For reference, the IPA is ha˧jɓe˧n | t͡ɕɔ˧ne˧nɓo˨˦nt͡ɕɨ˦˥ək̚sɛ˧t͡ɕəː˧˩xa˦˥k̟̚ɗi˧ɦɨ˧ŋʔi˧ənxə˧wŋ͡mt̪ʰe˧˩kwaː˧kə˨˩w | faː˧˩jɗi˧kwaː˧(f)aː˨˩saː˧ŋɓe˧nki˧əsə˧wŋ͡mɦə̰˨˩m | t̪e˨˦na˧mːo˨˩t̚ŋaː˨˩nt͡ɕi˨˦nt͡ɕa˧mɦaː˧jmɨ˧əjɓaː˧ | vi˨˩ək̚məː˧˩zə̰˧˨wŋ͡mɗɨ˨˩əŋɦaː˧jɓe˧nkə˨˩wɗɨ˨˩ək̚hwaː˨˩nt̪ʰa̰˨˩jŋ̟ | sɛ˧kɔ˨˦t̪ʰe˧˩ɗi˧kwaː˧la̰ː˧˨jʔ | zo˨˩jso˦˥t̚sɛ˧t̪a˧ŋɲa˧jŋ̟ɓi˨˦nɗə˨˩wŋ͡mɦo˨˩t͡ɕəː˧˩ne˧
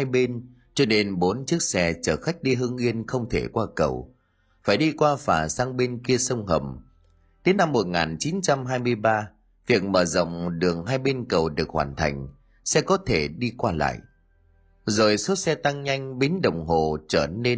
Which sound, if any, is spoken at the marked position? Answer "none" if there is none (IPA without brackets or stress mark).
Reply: f